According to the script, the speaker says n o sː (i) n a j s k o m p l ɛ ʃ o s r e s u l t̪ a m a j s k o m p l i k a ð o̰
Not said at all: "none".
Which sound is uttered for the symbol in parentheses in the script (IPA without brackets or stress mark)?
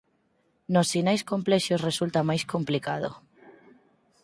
i